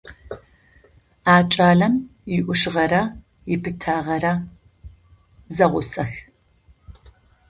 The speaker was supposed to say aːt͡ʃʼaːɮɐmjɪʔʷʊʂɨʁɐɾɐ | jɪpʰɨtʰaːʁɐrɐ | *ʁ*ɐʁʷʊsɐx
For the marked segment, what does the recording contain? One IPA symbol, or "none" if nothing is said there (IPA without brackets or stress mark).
z